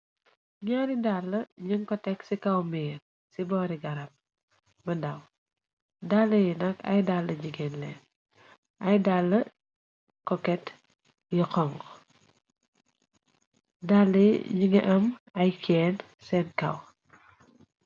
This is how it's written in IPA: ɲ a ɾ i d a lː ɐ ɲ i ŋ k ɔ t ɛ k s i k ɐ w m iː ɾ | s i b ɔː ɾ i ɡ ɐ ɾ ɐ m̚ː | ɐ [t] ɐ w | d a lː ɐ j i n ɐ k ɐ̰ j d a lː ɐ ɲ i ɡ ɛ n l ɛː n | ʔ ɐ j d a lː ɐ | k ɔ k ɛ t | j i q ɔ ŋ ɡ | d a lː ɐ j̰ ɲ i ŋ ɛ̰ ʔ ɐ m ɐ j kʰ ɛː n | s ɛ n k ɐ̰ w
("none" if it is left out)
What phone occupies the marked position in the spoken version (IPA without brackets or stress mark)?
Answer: d